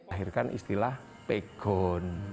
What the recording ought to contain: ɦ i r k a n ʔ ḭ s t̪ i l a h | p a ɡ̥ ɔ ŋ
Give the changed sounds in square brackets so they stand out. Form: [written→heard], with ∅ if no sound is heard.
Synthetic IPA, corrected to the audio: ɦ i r k a n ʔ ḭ s t̪ i l a h | p [a→e] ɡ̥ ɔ [ŋ→n]